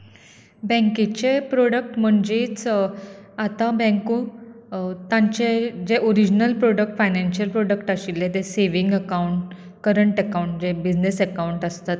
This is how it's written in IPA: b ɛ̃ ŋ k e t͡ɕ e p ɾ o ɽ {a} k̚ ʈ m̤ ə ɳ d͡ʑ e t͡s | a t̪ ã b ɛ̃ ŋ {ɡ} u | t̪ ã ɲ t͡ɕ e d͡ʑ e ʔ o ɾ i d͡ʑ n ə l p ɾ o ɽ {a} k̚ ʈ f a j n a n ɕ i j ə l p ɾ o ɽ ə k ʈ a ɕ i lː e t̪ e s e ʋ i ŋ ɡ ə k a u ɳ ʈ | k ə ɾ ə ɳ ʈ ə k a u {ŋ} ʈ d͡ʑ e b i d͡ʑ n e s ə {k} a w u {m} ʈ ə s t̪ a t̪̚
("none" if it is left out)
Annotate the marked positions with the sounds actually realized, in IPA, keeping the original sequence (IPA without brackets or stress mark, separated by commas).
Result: ə, k, ə, ɳ, k, ɳ